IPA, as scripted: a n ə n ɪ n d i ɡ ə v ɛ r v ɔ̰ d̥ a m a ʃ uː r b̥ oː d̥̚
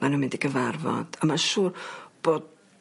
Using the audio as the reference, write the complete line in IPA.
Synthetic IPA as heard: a n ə m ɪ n d i ɡ ə v a r v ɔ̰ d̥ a m a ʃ uː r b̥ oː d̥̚